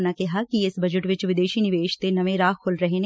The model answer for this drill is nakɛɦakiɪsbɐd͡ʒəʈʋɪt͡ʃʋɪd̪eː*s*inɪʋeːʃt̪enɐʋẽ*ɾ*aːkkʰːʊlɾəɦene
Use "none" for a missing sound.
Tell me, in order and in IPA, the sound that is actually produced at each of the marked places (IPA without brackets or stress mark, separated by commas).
ʃ, ɾ